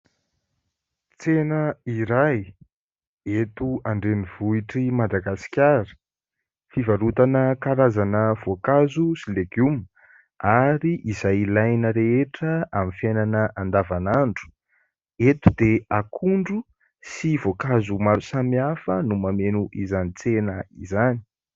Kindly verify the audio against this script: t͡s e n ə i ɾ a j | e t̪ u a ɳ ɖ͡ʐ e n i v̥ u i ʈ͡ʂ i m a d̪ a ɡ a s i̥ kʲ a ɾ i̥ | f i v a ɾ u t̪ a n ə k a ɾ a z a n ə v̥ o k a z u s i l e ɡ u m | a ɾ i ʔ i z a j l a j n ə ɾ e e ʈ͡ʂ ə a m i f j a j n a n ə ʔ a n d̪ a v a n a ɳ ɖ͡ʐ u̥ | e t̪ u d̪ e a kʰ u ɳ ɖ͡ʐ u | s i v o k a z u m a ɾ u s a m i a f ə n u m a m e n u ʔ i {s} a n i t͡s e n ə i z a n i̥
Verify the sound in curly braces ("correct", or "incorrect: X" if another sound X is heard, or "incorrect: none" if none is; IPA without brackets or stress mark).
incorrect: z